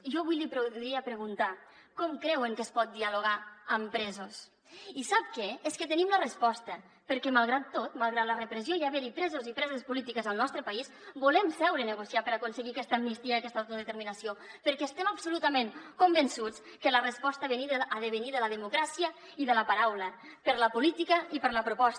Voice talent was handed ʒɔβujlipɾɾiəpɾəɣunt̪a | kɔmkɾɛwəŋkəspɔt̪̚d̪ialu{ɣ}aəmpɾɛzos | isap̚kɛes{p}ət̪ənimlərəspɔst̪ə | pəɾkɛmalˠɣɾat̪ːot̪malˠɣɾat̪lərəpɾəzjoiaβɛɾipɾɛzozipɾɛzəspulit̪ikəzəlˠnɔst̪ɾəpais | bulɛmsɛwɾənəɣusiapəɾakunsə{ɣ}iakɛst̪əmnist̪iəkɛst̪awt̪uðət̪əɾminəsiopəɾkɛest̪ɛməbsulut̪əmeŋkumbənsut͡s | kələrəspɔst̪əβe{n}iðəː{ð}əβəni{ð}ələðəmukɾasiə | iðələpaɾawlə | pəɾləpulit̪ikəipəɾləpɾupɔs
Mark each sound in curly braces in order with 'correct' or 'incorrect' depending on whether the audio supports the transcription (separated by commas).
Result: correct, incorrect, correct, correct, correct, correct